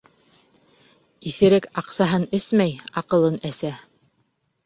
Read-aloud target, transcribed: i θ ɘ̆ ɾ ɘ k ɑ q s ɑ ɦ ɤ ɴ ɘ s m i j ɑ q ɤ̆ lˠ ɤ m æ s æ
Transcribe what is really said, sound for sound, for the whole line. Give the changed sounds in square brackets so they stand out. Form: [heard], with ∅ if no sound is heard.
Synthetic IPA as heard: i θ ɘ̆ ɾ ɘ k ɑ q s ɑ ɦ ɤ [n] ɘ s m [æ] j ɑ q ɤ̆ lˠ ɤ [n] æ s æ

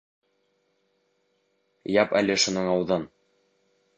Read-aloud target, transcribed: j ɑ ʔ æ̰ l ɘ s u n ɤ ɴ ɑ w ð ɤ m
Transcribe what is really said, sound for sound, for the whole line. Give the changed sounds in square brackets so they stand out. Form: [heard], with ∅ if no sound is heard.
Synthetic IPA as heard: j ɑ [p] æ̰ l ɘ [ʃ] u n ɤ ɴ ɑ w ð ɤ [n]

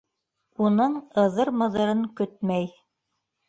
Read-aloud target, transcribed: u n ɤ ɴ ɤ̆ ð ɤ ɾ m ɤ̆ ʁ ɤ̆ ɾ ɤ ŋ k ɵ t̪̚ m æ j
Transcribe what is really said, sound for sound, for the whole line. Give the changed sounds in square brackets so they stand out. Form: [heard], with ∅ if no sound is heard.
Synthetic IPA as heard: u n ɤ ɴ ɤ̆ ð ɤ ɾ m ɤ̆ [ð] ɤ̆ ɾ ɤ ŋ k ɵ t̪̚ m æ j

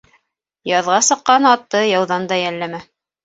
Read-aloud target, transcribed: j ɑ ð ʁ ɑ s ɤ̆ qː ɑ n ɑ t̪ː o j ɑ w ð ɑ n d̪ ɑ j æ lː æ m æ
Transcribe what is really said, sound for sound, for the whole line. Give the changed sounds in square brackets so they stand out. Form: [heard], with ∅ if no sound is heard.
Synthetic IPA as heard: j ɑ ð ʁ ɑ s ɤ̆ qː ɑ n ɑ t̪ː [ɤ] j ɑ w ð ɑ n d̪ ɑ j æ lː æ m æ

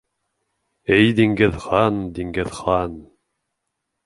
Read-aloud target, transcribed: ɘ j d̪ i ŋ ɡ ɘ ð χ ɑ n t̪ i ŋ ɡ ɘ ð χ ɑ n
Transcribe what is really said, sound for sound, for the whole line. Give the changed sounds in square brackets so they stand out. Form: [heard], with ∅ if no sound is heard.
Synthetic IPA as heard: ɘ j d̪ i ŋ ɡ ɘ ð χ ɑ n [d̪] i ŋ ɡ ɘ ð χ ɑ n

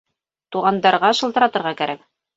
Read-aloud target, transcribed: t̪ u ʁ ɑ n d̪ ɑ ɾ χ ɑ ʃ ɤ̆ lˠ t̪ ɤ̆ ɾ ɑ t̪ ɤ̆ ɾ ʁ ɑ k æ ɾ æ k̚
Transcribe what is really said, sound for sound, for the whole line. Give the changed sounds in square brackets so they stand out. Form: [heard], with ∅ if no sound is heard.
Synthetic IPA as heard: t̪ u ʁ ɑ n d̪ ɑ ɾ [ʁ] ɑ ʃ ɤ̆ lˠ t̪ ɤ̆ ɾ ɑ t̪ ɤ̆ ɾ ʁ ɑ k æ ɾ æ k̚

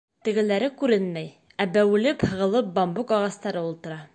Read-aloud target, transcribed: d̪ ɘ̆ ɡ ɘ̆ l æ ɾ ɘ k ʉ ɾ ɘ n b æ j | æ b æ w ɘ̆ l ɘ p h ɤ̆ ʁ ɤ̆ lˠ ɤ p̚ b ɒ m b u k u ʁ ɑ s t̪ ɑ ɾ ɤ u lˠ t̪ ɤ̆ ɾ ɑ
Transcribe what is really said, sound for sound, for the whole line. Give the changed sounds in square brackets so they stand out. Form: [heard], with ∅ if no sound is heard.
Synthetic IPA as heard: [t̪] ɘ̆ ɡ ɘ̆ l æ ɾ ɘ k ʉ ɾ ɘ n [m] æ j | æ b æ w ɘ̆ l ɘ p h ɤ̆ ʁ ɤ̆ lˠ ɤ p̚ b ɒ m b u k [ɒ] ʁ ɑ s t̪ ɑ ɾ ɤ u lˠ t̪ ɤ̆ ɾ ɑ

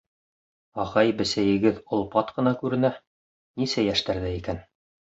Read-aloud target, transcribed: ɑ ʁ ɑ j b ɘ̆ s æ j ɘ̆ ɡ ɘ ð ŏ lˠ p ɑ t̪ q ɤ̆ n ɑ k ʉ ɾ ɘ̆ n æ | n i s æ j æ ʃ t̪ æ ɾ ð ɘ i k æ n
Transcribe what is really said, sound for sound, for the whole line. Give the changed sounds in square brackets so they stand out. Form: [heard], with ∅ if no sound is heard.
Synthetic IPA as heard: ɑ ʁ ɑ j b ɘ̆ s æ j ɘ̆ ɡ ɘ ð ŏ lˠ p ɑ t̪ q ɤ̆ n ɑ k ʉ ɾ ɘ̆ n æ | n i s æ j æ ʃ t̪ æ ɾ ð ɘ i k æ n

